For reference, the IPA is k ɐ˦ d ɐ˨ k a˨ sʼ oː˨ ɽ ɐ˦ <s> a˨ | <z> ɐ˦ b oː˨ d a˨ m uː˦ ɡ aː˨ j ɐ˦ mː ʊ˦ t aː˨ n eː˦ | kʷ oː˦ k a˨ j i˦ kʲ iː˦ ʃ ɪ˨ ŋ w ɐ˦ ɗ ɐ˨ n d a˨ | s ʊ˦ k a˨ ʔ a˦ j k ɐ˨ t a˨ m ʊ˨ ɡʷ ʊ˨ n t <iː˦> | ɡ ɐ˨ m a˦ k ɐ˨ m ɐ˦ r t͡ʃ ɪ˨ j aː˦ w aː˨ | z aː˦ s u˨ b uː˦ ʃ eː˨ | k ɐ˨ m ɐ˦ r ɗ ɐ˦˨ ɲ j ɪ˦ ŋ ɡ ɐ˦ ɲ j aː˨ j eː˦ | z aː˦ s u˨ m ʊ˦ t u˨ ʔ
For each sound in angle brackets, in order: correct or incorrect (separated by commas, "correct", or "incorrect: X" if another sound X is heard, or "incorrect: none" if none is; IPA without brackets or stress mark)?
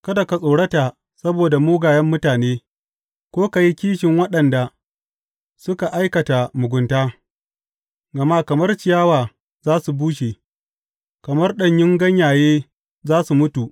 incorrect: t, incorrect: s, incorrect: aː˦